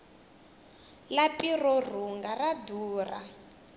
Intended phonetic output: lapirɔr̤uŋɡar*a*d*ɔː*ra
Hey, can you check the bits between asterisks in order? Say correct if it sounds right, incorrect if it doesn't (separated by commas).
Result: correct, incorrect